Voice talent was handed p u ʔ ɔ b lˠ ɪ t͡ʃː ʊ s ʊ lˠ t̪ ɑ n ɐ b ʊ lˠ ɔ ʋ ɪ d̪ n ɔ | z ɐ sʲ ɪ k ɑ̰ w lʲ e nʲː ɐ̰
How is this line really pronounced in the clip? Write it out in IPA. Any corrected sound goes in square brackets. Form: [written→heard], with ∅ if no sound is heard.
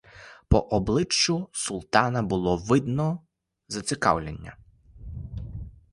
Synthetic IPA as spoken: p [u→ɔ] ʔ ɔ b lˠ ɪ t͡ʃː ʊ s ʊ lˠ t̪ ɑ n ɐ b ʊ lˠ ɔ ʋ ɪ d̪ n ɔ | z ɐ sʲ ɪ k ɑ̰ w lʲ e nʲː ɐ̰